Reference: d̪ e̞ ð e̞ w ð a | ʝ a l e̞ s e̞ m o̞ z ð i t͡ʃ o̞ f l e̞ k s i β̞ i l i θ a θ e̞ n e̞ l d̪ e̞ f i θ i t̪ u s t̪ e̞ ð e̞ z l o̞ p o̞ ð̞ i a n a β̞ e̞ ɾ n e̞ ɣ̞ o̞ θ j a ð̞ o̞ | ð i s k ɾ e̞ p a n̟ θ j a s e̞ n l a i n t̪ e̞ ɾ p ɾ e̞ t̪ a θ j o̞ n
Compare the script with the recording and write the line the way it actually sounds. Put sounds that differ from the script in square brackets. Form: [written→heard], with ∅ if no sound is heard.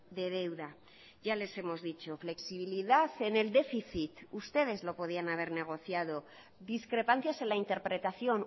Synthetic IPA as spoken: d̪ e̞ ð e̞ w ð a | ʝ a l e̞ s e̞ m o̞ z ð i t͡ʃ o̞ f l e̞ k s i β̞ i l i [θ→ð] a θ e̞ n e̞ l d̪ e̞ f i θ i t̪ u s t̪ e̞ ð e̞ z l o̞ p o̞ ð̞ i a n a β̞ e̞ ɾ n e̞ ɣ̞ o̞ θ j a ð̞ o̞ | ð i s k ɾ e̞ p a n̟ θ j a s e̞ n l a i n t̪ e̞ ɾ p ɾ e̞ t̪ a θ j o̞ n

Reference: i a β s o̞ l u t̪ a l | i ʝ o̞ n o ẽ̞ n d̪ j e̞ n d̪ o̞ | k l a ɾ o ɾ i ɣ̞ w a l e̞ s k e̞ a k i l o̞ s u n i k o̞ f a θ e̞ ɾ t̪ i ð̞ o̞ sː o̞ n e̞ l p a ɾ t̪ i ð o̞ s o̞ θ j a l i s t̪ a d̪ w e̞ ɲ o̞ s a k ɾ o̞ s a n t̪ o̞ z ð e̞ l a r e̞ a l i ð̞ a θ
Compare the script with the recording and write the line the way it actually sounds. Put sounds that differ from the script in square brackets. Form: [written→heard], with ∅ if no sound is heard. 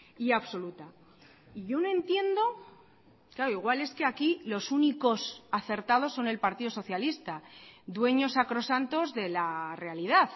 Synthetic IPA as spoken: i a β s o̞ l u t̪ a [l→∅] | i ʝ o̞ n o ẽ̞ n [d̪→t̪] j e̞ n d̪ o̞ | k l a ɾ o [ɾ→∅] i ɣ̞ w a l e̞ s k e̞ a k i l o̞ s u n i k o̞ [f→s] a θ e̞ ɾ t̪ [i→a] ð̞ o̞ sː o̞ n e̞ l p a ɾ t̪ i ð o̞ s o̞ θ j a l i s t̪ a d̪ w e̞ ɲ o̞ s a k ɾ o̞ s a n t̪ o̞ z ð e̞ l a r e̞ a l i ð̞ a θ

